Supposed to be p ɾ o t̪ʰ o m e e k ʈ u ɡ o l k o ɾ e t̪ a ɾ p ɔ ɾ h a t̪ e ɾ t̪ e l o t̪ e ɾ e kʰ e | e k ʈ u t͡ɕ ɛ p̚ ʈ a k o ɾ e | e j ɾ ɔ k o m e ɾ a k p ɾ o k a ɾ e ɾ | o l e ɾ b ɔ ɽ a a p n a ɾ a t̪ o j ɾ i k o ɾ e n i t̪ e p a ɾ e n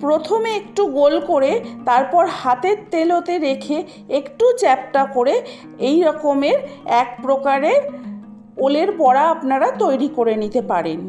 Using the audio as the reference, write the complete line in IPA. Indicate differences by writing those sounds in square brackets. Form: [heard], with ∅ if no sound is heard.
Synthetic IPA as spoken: p ɾ o t̪ʰ o m e e k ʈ u ɡ o l k o ɾ e t̪ a ɾ p ɔ ɾ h a t̪ e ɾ t̪ e l o t̪ e ɾ e kʰ e | e k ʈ u t͡ɕ ɛ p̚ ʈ a k o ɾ e | e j ɾ ɔ k o m e ɾ [ɛ] k p ɾ o k a ɾ e ɾ | o l e ɾ b ɔ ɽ a a p n a ɾ a t̪ o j ɾ i k o ɾ e n i t̪ e p a ɾ e n